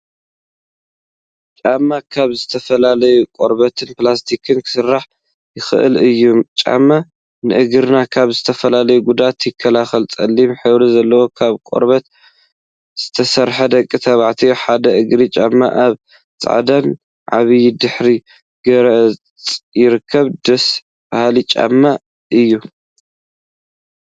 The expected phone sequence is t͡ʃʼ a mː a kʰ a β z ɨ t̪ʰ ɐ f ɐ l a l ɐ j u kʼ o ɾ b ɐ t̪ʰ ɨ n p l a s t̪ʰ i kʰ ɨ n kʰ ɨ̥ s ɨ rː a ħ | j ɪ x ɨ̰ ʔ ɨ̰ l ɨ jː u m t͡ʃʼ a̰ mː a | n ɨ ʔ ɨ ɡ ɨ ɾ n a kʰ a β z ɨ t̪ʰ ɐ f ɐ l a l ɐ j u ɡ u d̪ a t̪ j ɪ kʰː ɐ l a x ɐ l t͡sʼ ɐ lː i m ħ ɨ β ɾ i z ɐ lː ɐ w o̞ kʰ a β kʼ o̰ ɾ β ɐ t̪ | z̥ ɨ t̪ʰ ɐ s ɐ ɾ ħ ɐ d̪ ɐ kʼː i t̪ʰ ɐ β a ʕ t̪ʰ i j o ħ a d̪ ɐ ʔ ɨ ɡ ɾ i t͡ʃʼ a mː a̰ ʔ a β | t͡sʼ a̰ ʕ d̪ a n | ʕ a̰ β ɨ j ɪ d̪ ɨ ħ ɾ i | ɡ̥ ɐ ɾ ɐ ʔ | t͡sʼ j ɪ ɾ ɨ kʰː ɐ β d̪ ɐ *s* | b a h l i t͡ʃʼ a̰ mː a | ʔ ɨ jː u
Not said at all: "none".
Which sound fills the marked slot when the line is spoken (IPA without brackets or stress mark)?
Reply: s